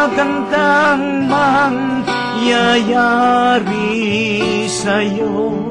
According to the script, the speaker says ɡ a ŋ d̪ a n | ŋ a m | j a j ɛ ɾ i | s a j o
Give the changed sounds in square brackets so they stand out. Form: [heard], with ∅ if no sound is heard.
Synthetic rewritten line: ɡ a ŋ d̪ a [ŋ] | [m] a [ŋ] | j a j [a] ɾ i | s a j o